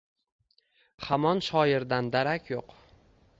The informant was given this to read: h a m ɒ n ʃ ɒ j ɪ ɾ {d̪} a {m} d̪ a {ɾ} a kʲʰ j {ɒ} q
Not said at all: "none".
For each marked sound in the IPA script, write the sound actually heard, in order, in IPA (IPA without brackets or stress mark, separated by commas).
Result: d̪, n, ɾ, o